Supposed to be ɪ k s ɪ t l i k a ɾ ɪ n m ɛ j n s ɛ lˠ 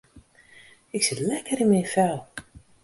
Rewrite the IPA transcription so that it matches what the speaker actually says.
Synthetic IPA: ɪ k s ɪ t l ɛ k ə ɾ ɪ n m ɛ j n f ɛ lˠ